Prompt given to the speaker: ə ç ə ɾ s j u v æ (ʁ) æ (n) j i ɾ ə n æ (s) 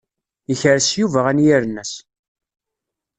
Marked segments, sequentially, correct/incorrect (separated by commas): correct, correct, correct